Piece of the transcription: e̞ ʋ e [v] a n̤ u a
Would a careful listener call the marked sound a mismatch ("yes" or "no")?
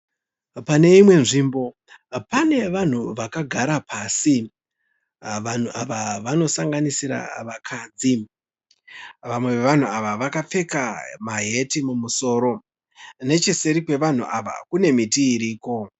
yes